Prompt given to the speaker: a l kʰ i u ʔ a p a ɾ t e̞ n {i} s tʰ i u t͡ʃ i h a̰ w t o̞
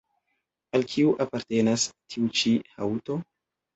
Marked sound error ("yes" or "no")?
yes